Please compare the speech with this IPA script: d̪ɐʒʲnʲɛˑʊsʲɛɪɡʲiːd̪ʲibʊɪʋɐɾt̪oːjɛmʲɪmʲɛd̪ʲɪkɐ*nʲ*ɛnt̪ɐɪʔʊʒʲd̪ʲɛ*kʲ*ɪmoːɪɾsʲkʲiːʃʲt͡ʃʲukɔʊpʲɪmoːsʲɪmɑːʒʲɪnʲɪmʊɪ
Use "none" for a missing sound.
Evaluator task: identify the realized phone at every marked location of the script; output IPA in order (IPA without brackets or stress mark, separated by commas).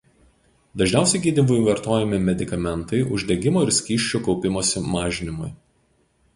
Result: mʲ, ɡʲ